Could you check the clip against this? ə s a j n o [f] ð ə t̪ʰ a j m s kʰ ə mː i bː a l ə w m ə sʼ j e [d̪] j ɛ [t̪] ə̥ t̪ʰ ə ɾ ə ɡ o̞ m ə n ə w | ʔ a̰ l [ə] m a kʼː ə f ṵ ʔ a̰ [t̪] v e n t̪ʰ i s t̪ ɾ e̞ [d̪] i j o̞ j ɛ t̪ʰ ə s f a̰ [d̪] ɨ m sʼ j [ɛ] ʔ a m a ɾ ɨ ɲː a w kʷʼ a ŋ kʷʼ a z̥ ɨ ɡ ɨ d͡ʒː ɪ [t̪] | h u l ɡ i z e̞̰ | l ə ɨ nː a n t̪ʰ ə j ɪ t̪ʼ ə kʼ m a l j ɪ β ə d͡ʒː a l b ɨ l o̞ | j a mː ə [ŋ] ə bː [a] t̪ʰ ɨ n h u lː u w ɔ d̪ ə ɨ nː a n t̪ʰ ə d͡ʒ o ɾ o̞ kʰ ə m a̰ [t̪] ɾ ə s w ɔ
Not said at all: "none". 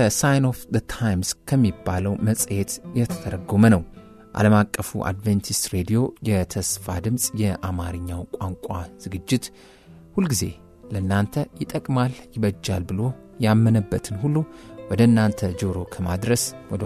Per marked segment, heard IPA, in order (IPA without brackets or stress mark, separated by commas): f, t̪, t̪ʰ, ə, d̪, d̪, d̪, ɛ, t̪, n, ə, d̪